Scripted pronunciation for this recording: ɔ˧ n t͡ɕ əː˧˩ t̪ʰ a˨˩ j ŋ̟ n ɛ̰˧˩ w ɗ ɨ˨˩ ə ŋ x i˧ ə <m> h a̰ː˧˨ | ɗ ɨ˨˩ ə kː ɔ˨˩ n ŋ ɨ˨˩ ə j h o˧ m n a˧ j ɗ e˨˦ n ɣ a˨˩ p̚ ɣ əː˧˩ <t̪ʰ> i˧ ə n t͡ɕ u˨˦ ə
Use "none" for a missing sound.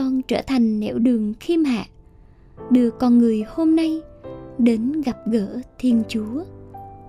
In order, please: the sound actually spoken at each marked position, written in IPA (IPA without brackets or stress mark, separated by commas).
m, t̪ʰ